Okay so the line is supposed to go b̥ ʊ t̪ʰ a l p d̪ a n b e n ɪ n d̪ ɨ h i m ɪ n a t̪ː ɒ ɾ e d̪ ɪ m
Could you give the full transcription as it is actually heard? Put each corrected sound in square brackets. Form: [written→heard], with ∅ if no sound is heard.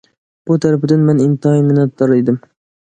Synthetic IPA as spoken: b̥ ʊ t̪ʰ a [l→ɾ] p d̪ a n [b→m] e n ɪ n [d̪→t̪] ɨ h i m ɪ n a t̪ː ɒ ɾ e d̪ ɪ m